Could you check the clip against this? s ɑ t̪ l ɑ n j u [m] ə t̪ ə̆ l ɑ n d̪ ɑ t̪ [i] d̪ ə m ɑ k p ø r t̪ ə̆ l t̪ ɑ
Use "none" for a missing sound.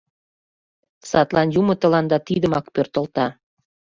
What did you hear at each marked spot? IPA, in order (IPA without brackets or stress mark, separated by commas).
m, i